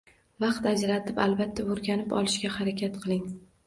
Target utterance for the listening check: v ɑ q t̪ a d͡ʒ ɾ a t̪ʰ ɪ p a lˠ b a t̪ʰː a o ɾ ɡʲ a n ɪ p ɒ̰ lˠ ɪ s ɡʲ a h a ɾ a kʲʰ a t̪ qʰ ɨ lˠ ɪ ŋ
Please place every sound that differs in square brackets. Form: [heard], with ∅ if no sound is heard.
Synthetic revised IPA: v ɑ q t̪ a d͡ʒ ɾ a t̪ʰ ɪ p a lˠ b a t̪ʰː a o ɾ ɡʲ a n ɪ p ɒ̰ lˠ ɪ [ʃ] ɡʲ a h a ɾ a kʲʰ a t̪ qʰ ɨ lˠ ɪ ŋ